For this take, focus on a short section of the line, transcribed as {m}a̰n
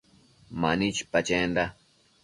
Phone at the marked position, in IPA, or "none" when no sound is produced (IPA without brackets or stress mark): m